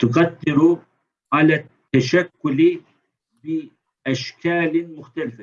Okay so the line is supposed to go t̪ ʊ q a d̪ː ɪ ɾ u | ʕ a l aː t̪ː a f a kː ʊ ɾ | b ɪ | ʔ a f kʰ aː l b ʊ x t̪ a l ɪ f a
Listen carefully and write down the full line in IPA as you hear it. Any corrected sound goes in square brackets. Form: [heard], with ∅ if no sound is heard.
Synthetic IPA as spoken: t̪ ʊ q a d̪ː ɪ ɾ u | ʕ a l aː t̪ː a [ʃ] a kː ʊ [l] | b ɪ | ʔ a [ʃ] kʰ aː l [m] ʊ x t̪ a l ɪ f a